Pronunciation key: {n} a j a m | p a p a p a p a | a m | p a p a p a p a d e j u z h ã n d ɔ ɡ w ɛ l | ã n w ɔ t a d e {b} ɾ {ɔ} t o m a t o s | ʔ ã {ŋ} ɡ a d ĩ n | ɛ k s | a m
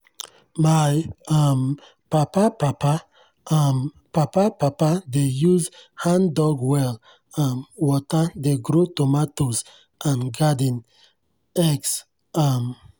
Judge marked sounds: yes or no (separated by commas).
no, no, no, no